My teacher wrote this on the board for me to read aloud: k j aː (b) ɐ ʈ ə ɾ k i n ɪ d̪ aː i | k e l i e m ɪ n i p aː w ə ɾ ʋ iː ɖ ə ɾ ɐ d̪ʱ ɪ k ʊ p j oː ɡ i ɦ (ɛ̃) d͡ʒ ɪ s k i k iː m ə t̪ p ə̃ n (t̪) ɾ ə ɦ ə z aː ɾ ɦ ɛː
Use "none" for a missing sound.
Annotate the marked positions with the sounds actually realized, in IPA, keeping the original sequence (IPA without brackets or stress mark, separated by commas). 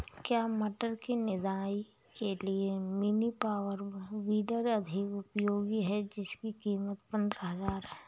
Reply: m, ɛ, d̪